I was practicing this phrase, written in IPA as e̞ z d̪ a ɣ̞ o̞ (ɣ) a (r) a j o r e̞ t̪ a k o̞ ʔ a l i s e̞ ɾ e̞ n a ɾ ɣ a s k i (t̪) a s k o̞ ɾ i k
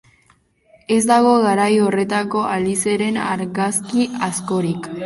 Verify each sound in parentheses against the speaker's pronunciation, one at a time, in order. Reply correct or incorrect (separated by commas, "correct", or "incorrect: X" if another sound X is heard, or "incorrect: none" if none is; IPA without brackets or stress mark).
correct, incorrect: ɾ, incorrect: none